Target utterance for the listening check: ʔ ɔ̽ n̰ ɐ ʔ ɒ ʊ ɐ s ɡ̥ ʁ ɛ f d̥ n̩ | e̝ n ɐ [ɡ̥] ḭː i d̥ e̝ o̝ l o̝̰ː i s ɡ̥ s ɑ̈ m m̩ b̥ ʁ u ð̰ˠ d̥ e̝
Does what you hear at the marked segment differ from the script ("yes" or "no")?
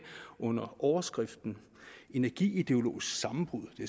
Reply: no